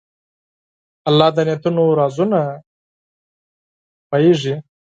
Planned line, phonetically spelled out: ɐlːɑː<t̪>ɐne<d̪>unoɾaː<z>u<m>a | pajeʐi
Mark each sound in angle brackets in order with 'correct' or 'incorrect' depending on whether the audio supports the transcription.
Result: incorrect: d̪, incorrect: t̪, correct, incorrect: n

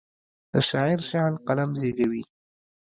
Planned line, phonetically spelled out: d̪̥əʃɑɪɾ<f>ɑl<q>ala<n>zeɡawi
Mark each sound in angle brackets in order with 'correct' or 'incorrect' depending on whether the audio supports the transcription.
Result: incorrect: ʃ, correct, incorrect: m

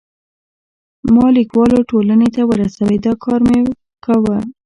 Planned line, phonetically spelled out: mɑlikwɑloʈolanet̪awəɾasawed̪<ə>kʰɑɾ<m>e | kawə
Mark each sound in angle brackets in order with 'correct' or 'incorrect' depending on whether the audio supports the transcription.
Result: incorrect: ɑ, correct

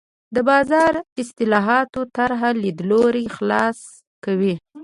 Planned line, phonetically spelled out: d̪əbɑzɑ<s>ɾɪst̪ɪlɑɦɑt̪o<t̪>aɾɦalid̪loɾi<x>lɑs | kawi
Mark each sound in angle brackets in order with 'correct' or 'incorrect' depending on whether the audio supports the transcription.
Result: incorrect: none, correct, correct

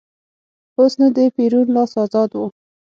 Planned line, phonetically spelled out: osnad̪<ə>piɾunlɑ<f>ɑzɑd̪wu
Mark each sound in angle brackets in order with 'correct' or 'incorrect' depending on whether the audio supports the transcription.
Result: correct, incorrect: s

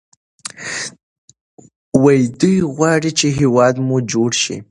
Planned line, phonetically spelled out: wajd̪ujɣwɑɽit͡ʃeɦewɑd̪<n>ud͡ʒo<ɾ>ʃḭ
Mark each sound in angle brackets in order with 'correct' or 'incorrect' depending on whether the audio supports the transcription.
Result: incorrect: m, incorrect: ɽ

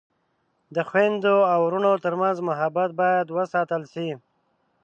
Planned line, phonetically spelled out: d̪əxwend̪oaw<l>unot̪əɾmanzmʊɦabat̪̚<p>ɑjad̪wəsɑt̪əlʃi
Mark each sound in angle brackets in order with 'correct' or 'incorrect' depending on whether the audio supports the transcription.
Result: incorrect: ɾ, incorrect: b

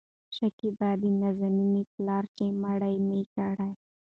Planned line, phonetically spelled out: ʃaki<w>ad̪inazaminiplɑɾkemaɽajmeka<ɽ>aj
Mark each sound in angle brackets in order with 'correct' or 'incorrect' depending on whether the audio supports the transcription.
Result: incorrect: b, correct

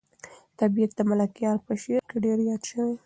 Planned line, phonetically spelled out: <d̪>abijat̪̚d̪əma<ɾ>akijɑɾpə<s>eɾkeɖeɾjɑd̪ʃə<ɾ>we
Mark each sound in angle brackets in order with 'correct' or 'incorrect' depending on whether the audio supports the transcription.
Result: incorrect: t̪, incorrect: l, incorrect: ʃ, incorrect: none

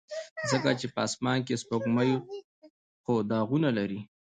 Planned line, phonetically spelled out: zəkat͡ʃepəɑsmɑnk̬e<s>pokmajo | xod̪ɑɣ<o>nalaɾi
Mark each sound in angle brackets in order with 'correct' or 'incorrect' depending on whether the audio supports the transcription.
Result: correct, incorrect: u

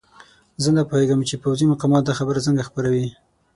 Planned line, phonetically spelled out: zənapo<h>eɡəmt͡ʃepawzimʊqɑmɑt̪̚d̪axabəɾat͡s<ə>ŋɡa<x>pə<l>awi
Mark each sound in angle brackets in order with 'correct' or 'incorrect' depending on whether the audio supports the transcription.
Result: correct, correct, correct, incorrect: ɾ

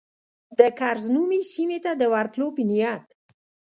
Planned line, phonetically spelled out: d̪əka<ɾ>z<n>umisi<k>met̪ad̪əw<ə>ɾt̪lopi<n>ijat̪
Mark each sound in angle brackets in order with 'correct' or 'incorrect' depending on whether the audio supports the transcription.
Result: correct, correct, incorrect: none, incorrect: a, correct

